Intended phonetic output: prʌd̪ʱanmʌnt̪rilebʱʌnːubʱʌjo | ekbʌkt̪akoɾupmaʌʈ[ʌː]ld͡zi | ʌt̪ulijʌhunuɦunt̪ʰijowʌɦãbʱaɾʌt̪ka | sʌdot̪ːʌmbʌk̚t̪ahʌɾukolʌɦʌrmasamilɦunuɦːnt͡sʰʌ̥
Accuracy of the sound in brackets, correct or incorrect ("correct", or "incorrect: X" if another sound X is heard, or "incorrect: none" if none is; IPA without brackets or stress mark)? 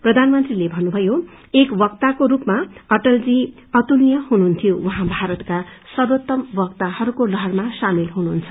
incorrect: ʌ